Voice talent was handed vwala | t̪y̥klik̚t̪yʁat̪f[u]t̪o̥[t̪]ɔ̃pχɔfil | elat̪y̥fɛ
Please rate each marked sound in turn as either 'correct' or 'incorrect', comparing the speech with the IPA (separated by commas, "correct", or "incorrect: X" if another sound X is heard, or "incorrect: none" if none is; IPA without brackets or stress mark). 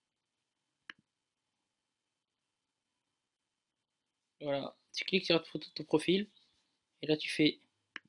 incorrect: o, correct